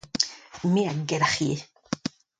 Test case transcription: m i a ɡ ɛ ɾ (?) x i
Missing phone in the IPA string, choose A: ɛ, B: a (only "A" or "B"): B